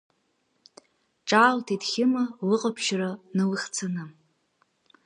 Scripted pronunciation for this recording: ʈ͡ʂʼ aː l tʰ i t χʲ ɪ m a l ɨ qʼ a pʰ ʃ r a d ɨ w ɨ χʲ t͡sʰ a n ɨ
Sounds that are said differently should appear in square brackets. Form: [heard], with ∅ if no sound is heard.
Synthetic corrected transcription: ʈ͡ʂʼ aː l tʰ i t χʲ ɪ m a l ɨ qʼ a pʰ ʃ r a [n] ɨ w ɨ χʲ t͡sʰ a n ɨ